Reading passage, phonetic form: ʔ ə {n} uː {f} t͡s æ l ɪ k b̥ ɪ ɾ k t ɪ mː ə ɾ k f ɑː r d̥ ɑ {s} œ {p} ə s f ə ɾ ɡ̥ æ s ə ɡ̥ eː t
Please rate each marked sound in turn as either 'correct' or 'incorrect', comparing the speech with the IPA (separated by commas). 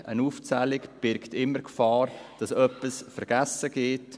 correct, correct, correct, correct